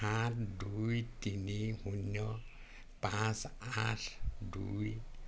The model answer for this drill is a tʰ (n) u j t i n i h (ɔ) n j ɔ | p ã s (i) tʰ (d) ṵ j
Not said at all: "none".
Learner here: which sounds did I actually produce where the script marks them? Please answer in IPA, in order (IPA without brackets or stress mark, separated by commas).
d, u, a, d